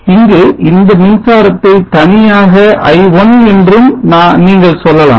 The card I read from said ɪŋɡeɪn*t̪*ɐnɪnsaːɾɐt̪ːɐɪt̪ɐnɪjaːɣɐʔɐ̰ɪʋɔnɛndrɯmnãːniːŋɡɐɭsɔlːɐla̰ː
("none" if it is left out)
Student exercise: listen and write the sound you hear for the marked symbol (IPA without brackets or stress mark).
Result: d̪